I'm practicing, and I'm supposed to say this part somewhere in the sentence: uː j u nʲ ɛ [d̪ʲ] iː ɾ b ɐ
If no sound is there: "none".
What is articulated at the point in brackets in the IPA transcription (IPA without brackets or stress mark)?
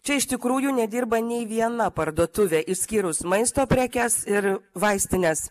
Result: d̪ʲ